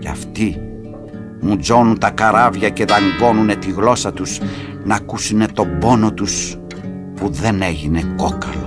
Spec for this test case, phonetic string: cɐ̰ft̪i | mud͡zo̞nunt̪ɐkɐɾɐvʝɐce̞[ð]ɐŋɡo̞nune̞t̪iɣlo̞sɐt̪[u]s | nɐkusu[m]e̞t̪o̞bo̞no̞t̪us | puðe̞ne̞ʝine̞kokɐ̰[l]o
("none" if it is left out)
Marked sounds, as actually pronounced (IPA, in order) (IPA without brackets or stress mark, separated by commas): ð, u, n, l